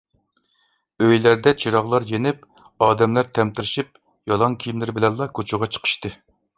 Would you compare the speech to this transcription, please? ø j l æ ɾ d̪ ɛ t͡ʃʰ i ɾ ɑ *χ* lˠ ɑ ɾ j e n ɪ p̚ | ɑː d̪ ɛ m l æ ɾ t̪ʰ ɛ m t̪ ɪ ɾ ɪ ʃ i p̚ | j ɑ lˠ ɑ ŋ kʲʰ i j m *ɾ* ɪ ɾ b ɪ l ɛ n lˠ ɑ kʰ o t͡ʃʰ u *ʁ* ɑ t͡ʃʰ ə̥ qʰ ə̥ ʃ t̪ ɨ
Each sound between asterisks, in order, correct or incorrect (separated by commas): incorrect, incorrect, correct